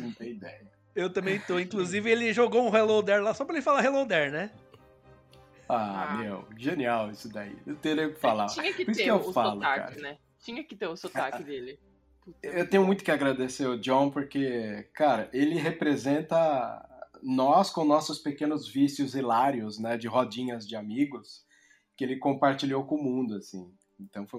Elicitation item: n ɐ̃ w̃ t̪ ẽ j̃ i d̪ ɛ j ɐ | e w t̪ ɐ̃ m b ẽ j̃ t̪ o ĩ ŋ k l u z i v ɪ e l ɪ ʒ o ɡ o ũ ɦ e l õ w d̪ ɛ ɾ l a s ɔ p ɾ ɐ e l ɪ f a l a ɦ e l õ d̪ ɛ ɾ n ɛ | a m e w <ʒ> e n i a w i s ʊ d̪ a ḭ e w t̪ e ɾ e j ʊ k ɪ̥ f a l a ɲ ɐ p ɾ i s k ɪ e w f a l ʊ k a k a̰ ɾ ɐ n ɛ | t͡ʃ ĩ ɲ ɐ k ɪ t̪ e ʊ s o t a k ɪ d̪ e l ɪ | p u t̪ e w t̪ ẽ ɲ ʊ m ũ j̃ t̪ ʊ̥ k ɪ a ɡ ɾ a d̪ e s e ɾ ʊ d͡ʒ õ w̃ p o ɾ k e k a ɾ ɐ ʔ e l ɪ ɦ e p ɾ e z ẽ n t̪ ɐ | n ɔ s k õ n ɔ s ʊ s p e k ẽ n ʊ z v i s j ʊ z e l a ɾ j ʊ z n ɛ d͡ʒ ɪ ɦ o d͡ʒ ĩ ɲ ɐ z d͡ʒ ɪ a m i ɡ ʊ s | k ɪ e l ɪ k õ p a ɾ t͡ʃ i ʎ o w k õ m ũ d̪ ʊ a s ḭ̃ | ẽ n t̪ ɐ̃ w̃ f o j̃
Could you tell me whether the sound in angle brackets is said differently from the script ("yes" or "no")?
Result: no